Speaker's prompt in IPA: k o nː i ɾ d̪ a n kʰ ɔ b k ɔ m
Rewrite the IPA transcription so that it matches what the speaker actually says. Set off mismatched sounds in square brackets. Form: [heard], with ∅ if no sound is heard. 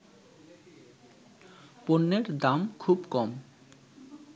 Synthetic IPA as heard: [p] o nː [e] ɾ d̪ a [m] kʰ [u] b k ɔ m